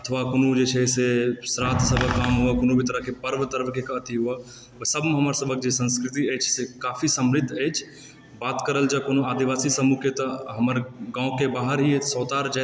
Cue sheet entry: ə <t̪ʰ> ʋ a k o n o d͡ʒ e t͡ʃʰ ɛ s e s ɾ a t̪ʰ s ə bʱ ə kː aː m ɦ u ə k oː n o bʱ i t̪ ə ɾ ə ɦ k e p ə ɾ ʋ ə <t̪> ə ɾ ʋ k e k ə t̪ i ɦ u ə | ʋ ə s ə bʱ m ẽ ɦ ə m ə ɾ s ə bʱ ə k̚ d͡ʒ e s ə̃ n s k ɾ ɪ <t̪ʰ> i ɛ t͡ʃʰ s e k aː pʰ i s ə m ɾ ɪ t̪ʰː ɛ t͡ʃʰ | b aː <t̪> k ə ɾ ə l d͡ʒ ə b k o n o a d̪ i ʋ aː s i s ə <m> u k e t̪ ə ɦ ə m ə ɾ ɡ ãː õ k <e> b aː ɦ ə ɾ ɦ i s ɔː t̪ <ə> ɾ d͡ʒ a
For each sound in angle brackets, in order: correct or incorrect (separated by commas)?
correct, correct, incorrect, correct, correct, correct, incorrect